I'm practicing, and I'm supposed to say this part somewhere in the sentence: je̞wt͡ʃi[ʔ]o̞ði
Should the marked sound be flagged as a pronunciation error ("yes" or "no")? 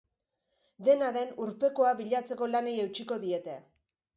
yes